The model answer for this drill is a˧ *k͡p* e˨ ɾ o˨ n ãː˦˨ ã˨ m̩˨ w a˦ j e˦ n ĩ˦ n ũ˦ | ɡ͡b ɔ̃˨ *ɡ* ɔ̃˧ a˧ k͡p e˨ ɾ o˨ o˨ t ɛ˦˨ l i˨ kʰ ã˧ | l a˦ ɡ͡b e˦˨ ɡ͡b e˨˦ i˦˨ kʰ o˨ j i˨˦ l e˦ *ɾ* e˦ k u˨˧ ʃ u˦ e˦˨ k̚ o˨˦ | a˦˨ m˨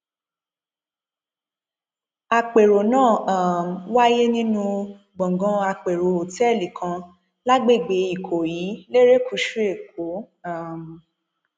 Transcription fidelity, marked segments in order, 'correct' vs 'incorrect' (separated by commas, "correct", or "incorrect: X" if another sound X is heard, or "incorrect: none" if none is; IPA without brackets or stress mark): correct, correct, correct